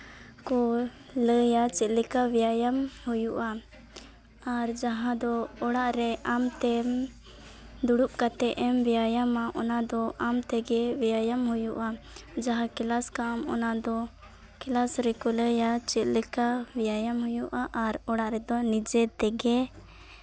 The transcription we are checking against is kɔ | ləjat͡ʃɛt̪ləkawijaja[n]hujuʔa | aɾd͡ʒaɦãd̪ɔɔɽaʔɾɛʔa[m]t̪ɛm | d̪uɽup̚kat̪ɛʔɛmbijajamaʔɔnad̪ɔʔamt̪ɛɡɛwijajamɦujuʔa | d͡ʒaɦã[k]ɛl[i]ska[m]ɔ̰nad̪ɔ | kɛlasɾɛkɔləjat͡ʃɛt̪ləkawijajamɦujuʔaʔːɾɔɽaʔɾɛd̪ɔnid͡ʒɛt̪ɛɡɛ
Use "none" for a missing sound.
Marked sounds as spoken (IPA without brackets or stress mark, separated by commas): m, m, k, a, m